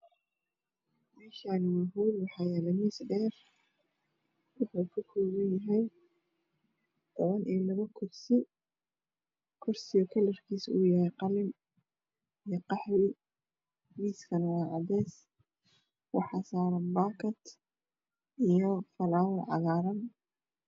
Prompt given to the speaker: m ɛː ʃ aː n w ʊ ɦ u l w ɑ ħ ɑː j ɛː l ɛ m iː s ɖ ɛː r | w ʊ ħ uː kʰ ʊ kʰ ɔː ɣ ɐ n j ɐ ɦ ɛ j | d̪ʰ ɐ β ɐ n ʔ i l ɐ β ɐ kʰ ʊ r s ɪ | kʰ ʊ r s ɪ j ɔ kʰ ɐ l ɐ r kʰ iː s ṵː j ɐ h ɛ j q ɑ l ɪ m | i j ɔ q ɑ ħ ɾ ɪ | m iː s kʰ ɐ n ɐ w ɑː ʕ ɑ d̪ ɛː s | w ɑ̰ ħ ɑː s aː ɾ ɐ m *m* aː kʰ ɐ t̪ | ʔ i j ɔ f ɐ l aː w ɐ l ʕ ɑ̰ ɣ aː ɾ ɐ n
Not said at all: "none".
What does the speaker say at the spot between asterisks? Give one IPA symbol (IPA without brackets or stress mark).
b